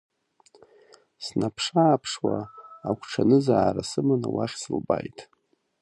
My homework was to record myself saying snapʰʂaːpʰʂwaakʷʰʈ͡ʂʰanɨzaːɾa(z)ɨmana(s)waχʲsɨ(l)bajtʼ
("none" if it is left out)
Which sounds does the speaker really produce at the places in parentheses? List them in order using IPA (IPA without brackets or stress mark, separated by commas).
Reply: s, none, l